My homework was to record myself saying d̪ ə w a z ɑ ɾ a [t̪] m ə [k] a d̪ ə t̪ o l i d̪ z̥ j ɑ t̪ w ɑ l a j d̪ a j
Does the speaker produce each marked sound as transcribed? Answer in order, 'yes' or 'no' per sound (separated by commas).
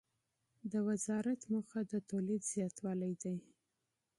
yes, no